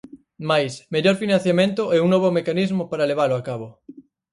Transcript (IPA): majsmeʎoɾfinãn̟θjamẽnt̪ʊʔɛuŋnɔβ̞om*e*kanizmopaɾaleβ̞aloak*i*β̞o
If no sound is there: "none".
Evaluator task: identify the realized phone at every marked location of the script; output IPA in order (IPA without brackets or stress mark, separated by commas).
e, a